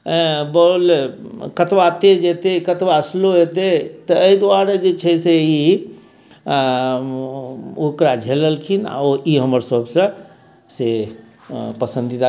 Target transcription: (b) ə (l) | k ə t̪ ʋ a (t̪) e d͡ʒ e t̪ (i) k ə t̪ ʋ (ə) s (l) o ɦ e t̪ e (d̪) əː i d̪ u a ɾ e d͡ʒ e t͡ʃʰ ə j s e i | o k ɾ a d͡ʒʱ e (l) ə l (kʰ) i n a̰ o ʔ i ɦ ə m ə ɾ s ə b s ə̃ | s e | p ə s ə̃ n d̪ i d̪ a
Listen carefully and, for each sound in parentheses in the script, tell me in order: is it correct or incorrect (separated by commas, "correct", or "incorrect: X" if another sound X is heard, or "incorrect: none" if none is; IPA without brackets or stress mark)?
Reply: correct, correct, correct, incorrect: e, incorrect: a, correct, incorrect: t̪, correct, correct